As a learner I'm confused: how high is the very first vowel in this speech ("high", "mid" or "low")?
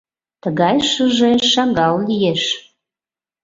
mid